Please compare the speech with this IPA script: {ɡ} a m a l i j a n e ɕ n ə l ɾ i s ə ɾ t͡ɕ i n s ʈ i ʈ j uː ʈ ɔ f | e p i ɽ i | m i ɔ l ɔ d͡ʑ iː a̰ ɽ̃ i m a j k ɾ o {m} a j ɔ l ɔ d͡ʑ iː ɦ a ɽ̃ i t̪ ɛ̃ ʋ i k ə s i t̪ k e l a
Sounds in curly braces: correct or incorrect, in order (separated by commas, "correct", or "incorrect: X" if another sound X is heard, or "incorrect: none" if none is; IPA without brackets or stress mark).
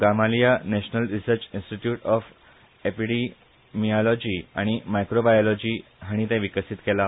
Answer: correct, incorrect: b